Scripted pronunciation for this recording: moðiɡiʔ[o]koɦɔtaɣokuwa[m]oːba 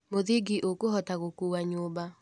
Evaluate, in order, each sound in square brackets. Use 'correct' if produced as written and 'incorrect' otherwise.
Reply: correct, incorrect

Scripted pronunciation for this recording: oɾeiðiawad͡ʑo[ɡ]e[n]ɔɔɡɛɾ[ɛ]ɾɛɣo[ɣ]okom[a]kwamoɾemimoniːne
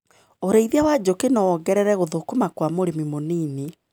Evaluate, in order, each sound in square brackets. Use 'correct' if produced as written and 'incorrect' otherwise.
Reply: incorrect, correct, correct, incorrect, correct

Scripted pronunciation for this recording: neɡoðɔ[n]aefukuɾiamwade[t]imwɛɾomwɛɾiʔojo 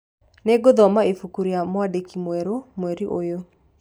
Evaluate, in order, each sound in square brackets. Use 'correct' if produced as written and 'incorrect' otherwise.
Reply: incorrect, incorrect

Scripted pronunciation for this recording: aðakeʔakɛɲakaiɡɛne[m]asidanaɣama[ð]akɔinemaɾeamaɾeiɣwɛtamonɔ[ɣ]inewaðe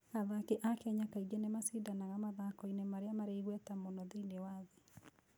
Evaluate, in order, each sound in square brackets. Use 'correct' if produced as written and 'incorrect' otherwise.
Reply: correct, correct, incorrect

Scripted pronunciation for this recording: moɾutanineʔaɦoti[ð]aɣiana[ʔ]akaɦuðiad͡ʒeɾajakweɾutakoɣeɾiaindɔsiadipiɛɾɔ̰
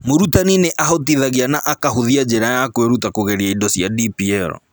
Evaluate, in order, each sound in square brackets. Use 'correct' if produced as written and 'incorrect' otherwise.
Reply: correct, correct

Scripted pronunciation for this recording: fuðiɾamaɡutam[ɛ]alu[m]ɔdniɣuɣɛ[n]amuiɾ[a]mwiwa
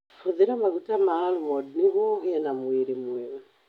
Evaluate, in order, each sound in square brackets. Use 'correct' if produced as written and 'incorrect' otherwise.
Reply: incorrect, correct, correct, incorrect

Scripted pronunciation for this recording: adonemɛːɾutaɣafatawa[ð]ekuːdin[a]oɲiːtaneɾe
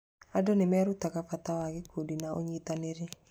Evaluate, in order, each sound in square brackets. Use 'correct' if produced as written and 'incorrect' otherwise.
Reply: incorrect, correct

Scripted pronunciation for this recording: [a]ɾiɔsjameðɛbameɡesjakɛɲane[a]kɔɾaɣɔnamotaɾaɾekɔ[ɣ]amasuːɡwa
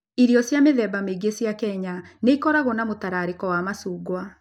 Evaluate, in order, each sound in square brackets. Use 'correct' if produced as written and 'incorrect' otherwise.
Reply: incorrect, incorrect, incorrect

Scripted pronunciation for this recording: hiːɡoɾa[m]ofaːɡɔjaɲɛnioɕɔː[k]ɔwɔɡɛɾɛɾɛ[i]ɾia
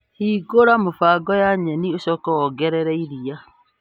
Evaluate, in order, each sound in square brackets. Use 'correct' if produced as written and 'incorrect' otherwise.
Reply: correct, correct, correct

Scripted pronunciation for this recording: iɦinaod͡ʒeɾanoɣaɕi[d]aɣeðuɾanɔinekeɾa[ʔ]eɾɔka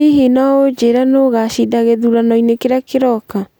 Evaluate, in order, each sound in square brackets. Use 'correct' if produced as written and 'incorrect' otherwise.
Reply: correct, incorrect

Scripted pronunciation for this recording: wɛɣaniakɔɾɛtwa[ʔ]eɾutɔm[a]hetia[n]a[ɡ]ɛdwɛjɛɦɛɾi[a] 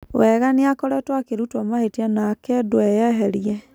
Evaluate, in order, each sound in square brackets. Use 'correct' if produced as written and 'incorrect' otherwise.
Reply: incorrect, correct, correct, incorrect, incorrect

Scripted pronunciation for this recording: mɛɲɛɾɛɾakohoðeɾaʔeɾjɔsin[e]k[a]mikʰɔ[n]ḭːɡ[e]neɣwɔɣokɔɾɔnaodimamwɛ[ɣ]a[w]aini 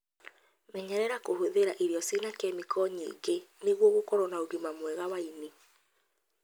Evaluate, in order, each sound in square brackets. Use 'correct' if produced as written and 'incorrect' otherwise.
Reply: incorrect, incorrect, incorrect, correct, correct, correct

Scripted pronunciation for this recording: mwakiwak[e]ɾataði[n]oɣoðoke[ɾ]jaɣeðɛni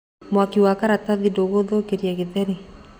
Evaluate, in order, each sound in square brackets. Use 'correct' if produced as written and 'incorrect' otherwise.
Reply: incorrect, incorrect, correct

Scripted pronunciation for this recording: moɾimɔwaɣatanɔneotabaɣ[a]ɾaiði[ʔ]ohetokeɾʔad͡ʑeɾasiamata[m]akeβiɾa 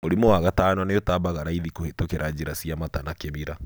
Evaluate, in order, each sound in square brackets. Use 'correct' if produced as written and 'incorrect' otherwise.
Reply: correct, incorrect, incorrect

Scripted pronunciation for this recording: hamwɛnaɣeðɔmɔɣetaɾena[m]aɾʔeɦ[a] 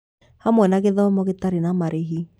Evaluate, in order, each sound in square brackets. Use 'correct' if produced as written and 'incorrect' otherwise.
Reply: correct, incorrect

